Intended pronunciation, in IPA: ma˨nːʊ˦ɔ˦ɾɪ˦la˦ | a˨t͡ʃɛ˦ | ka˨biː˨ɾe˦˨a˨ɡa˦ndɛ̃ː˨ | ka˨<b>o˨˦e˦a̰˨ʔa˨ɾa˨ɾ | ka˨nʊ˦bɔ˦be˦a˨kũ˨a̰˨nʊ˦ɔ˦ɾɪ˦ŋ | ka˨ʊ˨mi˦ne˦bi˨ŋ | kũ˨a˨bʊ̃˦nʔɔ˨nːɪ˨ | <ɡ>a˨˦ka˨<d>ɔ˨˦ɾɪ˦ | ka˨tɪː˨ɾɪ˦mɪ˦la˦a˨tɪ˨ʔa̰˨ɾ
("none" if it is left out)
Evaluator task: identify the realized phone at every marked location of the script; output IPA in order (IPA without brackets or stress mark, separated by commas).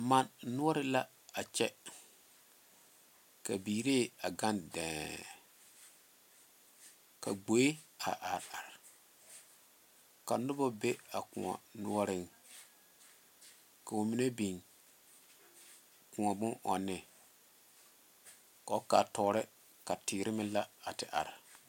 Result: ɡ͡b, k, t